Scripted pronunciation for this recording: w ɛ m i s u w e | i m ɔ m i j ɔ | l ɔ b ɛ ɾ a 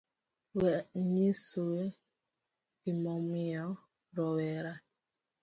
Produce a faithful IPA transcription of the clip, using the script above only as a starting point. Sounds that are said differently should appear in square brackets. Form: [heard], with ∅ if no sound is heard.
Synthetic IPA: w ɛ [ɲ] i s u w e | i m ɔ m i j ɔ | [ɾ] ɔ [w] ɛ ɾ a